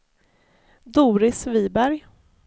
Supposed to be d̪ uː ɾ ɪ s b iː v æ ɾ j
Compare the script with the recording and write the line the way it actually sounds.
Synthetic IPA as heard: d̪ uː ɾ ɪ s v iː b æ ɾ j